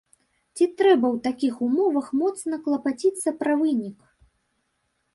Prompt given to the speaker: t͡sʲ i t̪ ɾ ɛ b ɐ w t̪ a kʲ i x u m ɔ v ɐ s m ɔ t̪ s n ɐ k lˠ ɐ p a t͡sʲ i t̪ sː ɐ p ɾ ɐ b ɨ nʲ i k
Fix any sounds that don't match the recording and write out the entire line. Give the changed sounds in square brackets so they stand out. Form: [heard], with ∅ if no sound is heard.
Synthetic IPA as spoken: t͡sʲ i t̪ ɾ ɛ b ɐ w t̪ a kʲ i x u m ɔ v ɐ [x] m ɔ t̪ s n ɐ k lˠ ɐ p a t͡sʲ i t̪ sː ɐ p ɾ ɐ [v] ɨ nʲ i k